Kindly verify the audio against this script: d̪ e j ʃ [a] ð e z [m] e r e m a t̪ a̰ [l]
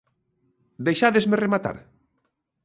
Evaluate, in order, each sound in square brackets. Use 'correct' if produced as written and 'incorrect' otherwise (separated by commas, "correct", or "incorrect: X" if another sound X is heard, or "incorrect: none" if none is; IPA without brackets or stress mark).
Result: correct, correct, incorrect: ɾ